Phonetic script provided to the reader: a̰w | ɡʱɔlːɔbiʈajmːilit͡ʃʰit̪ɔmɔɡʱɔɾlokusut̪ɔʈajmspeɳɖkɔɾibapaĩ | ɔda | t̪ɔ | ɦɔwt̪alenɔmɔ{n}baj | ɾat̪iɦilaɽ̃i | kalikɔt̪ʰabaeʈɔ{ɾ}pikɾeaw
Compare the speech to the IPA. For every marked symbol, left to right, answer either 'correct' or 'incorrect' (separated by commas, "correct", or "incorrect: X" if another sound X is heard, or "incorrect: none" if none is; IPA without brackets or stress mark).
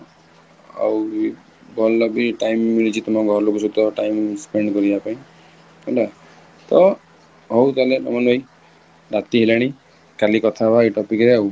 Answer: correct, incorrect: none